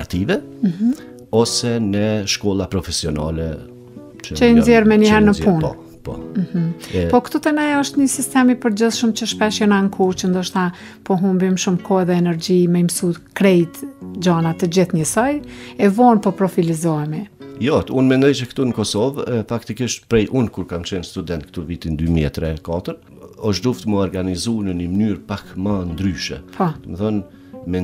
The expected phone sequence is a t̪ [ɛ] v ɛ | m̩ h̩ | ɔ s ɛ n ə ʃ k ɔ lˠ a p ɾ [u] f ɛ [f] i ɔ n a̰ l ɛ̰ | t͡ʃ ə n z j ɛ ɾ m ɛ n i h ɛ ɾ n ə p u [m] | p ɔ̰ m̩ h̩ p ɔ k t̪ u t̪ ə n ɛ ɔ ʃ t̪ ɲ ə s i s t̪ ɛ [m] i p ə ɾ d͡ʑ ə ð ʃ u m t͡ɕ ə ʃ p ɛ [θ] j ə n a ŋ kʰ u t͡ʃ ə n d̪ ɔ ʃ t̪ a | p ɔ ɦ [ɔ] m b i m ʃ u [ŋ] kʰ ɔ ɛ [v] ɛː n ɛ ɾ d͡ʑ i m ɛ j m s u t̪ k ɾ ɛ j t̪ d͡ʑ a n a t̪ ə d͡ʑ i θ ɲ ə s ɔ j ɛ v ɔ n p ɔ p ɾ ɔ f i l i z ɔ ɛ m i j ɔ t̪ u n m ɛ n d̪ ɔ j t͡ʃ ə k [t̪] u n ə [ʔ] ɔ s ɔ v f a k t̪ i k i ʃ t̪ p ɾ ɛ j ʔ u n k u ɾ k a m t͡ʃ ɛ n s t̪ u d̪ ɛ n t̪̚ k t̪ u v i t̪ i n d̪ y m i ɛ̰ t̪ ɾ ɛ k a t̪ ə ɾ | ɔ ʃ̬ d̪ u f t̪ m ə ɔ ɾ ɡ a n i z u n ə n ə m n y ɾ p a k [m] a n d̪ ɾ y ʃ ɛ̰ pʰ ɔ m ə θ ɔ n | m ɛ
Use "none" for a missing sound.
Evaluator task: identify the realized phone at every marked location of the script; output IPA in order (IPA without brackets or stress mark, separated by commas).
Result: i, ɔ, s, n, m, ʃ, u, m, ð, t̪, k, m